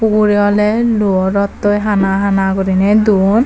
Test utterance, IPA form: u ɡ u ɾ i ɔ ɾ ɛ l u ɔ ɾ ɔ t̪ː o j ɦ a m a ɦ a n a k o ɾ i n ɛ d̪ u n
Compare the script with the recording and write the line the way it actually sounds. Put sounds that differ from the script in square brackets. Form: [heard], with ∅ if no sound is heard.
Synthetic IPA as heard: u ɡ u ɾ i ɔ [l] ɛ l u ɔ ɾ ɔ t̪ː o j ɦ a [n] a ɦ a n a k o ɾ i n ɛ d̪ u n